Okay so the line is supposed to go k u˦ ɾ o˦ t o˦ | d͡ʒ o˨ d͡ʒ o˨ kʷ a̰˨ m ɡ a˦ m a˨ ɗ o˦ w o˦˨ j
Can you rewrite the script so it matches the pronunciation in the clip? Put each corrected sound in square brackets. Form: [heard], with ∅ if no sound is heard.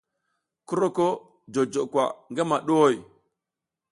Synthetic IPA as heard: k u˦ ɾ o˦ [k] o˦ | d͡ʒ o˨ d͡ʒ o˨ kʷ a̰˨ [ŋ] ɡ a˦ m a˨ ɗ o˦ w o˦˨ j